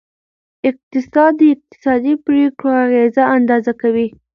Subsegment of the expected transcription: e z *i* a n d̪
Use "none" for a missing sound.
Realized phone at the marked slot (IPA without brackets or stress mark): a